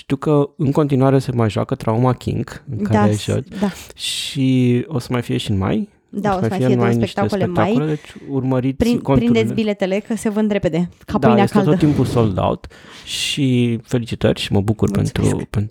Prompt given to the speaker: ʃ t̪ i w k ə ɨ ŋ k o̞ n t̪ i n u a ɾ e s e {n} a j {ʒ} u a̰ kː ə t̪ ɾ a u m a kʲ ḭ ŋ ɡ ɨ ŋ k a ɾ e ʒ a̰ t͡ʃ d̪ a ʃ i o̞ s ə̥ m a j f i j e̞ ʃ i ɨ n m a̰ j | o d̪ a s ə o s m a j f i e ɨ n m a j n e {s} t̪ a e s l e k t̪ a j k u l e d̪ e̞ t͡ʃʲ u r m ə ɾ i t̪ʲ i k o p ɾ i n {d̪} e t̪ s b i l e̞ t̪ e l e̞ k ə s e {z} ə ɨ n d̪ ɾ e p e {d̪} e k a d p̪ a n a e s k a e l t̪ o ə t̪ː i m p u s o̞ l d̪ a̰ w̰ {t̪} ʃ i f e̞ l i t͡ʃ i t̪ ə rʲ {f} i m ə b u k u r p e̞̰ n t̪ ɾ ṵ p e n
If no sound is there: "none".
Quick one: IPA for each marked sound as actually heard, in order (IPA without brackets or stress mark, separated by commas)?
m, ʒ, ʃ, d̪, v, d̪, t̪, ʃ